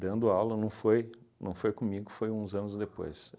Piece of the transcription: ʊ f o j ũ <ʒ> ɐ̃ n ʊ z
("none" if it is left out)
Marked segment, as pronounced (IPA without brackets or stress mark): z